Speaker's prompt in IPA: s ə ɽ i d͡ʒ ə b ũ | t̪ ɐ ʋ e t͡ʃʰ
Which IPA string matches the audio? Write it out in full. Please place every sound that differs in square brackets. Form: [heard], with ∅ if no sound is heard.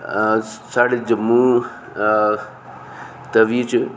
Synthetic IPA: s [a] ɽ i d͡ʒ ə [m] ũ | t̪ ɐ ʋ [i] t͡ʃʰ